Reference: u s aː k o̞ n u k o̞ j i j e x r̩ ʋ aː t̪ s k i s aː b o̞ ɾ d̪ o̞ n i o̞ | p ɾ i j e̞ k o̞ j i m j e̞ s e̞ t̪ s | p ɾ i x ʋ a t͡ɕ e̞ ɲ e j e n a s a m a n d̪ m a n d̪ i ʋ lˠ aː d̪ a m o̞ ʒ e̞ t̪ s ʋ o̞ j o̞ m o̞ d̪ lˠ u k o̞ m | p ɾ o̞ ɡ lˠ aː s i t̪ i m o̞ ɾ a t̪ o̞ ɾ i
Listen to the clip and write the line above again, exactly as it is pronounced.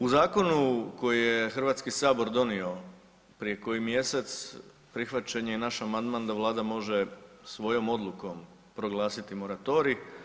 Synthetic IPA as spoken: u z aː k o̞ n u k o̞ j i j e x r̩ ʋ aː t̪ s k i s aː b o̞ ɾ d̪ o̞ n i o̞ | p ɾ i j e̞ k o̞ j i m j e̞ s e̞ t̪ s | p ɾ i x ʋ a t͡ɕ e̞ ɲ e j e n a ʃ a m a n d̪ m a n d̪ a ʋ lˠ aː d̪ a m o̞ ʒ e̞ s ʋ o̞ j o̞ m o̞ d̪ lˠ u k o̞ m | p ɾ o̞ ɡ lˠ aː s i t̪ i m o̞ ɾ a t̪ o̞ ɾ i